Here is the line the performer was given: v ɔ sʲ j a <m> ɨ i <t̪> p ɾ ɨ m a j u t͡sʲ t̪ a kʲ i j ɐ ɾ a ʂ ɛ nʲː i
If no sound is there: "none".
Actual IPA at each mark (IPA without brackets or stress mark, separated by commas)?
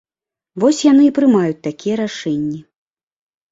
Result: n, none